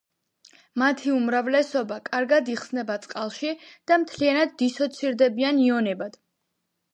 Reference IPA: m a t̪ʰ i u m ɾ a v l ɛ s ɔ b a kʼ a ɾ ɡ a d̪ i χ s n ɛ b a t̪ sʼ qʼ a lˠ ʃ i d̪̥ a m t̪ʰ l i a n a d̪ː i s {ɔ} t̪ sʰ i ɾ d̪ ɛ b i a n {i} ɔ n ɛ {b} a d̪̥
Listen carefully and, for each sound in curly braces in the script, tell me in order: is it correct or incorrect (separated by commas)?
correct, correct, correct